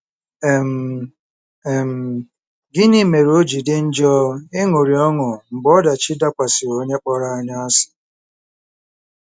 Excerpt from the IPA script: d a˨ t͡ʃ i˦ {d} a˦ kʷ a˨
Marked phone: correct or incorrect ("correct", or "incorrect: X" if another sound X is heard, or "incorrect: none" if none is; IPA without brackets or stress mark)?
correct